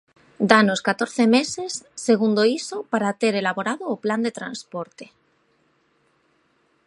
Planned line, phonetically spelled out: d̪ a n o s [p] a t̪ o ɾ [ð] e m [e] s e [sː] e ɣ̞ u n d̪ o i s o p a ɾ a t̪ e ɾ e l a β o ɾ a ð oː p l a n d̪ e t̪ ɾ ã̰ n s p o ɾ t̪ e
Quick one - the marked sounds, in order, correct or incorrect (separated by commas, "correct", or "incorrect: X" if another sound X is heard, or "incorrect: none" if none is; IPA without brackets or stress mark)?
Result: incorrect: k, incorrect: θ, correct, correct